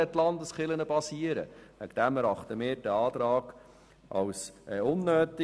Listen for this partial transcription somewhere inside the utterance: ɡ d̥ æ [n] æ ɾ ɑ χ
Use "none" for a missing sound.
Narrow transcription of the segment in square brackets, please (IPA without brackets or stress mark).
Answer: m